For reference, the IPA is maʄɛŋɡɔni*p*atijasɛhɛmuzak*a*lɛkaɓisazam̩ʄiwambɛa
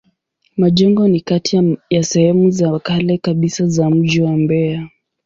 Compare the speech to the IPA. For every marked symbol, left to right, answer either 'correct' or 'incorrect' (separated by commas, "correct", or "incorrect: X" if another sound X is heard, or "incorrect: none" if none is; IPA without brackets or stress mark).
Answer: incorrect: k, correct